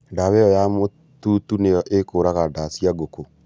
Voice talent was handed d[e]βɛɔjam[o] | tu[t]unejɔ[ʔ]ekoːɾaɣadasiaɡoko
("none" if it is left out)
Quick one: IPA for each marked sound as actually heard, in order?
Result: a, o, t, ʔ

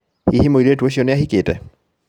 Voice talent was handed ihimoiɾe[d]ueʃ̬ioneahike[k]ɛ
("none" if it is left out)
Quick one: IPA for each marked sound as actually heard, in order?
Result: t, t

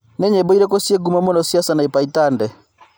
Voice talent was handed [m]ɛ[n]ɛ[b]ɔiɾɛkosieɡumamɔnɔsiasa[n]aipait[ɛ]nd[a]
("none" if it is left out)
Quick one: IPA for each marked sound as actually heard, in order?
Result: n, ɲ, b, n, a, ɛ

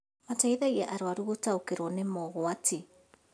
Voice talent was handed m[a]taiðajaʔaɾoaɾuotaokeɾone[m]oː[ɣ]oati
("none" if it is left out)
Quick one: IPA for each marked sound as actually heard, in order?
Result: a, m, ɣ

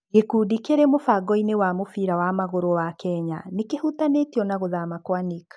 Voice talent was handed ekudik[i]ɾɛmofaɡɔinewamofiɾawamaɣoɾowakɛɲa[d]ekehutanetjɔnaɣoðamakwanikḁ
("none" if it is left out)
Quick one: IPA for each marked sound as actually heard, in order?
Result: e, n

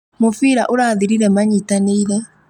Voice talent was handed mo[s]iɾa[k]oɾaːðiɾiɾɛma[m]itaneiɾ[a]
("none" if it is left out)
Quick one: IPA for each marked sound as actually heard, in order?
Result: f, ʔ, ɲ, ɛ

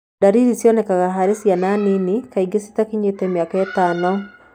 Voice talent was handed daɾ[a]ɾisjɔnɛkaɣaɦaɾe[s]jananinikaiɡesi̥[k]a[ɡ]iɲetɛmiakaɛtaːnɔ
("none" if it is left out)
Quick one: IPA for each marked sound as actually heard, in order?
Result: i, s, t, k

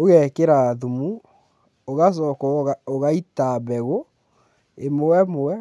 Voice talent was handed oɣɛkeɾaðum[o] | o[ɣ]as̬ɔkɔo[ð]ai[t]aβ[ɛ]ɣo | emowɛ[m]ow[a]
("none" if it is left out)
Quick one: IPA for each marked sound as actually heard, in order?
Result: u, ɣ, ɣ, t, ɛ, m, ɛ

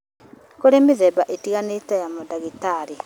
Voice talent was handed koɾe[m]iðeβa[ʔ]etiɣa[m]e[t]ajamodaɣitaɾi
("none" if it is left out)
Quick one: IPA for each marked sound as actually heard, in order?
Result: m, ʔ, n, t

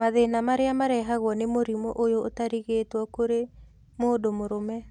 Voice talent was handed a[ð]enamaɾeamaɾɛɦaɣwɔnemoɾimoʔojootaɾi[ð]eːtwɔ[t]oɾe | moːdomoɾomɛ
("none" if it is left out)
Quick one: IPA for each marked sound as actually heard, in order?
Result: ð, ɣ, k

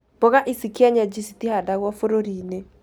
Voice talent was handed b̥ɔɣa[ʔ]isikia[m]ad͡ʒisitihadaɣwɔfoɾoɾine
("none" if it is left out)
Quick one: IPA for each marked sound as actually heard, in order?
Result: ʔ, ɲ

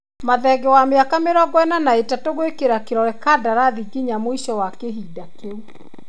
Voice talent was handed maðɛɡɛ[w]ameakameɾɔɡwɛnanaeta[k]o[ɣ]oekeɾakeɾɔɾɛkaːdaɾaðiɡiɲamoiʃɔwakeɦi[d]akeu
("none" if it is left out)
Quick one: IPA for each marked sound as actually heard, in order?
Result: w, t, ɣ, d

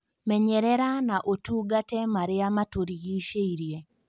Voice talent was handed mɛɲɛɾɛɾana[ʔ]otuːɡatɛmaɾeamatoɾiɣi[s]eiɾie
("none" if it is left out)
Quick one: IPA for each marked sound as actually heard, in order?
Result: ʔ, ʃ

